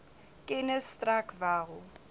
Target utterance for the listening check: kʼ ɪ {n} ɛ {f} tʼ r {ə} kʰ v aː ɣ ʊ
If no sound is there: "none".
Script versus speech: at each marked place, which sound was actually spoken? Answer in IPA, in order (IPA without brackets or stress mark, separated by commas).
n, s, a